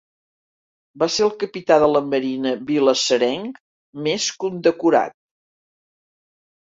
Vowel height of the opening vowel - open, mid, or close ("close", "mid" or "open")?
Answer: open